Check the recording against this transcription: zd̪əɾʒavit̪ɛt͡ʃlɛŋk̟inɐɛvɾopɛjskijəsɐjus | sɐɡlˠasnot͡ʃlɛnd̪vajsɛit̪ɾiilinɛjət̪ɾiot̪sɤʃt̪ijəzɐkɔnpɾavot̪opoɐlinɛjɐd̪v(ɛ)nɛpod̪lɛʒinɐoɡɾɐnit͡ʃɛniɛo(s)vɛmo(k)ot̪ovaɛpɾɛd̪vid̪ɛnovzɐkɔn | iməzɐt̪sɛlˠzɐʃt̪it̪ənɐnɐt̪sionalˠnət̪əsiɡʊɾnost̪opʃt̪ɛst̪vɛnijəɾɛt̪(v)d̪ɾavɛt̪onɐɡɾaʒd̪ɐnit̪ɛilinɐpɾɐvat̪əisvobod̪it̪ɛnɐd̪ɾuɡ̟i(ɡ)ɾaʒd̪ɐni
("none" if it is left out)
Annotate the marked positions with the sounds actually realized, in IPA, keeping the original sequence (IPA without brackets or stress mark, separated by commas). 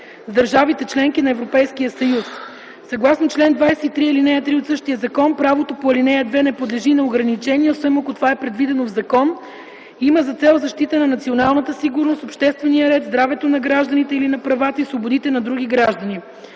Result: ɛ, s, k, z, ɡ